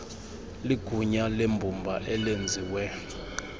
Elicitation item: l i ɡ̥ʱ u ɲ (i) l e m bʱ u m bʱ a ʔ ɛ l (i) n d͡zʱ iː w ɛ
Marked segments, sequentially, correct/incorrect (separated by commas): incorrect, incorrect